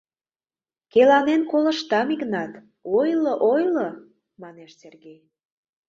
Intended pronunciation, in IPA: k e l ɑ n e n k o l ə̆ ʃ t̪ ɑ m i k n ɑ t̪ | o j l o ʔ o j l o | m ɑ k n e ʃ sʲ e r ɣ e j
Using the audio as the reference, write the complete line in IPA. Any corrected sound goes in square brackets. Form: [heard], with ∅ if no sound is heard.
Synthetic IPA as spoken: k e l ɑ n e n k o l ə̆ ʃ t̪ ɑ m i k n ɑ t̪ | o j l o ʔ o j l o | m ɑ [∅] n e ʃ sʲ e r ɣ e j